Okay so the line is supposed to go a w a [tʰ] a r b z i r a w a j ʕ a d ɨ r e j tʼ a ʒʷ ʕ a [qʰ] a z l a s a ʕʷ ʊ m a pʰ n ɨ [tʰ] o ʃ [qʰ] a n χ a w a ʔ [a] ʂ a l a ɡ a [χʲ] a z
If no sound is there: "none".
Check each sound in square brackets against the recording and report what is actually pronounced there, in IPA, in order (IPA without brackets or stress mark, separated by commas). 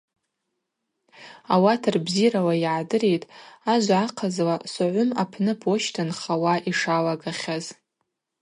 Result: tʰ, qʰ, pʰ, tʰ, i, χʲ